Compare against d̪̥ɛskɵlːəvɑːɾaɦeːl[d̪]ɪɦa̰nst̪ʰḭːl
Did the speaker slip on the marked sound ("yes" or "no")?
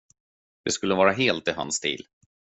yes